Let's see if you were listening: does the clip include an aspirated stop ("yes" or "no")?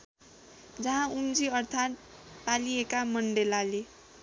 yes